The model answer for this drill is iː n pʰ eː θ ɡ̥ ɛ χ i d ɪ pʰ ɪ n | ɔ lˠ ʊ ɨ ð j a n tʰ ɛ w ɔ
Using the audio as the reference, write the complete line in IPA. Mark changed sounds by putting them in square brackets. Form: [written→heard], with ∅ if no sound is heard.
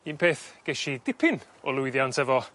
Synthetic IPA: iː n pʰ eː θ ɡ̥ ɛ [χ→ʃ] i d ɪ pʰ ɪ n | ɔ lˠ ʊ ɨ ð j a n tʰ ɛ [w→v] ɔ